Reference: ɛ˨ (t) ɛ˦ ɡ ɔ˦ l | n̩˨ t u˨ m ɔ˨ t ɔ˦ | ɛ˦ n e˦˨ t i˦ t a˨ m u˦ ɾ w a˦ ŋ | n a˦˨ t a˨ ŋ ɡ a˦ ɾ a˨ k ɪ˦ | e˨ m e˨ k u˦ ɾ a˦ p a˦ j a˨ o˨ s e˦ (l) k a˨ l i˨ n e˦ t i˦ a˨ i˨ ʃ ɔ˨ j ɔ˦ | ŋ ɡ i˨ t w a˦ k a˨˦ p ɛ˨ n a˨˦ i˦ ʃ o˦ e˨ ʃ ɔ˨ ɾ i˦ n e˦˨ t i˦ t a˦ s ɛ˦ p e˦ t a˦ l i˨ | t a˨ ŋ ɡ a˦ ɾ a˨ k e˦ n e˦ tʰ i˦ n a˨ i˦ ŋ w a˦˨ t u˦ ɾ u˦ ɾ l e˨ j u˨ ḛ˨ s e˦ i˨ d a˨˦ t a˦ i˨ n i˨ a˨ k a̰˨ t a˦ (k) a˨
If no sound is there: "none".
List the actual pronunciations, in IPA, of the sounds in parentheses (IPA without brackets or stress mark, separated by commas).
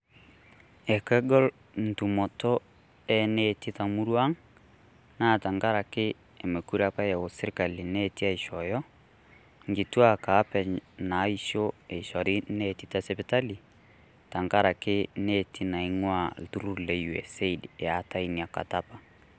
k, ɾ, p